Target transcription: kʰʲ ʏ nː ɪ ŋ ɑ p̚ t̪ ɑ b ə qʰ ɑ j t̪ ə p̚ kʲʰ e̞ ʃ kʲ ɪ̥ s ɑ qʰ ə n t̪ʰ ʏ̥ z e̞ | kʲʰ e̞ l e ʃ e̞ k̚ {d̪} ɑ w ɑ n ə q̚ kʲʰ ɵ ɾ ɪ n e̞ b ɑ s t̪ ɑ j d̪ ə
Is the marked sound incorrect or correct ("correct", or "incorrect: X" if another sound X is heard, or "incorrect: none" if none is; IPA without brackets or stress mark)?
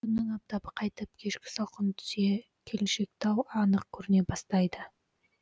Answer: incorrect: t̪